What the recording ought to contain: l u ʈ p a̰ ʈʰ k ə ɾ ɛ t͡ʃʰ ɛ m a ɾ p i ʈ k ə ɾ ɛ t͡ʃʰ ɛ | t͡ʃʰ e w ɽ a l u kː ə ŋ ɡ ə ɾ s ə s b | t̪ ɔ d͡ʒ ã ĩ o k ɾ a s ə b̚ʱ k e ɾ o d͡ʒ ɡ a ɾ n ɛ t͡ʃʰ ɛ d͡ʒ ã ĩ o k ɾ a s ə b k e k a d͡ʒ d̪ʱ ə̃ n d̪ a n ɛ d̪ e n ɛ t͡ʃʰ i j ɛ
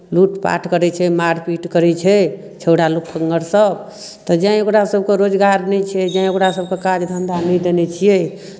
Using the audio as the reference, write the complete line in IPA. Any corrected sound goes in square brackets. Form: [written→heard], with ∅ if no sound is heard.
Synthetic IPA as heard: l u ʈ p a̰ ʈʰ k ə ɾ ɛ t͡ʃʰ ɛ m a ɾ p i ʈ k ə ɾ ɛ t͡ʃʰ ɛ | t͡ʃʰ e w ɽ a l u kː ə ŋ ɡ ə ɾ s ə [s→∅] b | t̪ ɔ d͡ʒ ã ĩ o k ɾ a s ə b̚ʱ k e ɾ o d͡ʒ ɡ a ɾ n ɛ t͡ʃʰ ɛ d͡ʒ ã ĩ o k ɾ a s ə b k e k a d͡ʒ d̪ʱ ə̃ n d̪ a n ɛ d̪ e n ɛ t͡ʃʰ i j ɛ